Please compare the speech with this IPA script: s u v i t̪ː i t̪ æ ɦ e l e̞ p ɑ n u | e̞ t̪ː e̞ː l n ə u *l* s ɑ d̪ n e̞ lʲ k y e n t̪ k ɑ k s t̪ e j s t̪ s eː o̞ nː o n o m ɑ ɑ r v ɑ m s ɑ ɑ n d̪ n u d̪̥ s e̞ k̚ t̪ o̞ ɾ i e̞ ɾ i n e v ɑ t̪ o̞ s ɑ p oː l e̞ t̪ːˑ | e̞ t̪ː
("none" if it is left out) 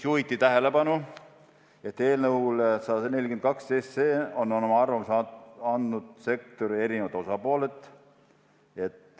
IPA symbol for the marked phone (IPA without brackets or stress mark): l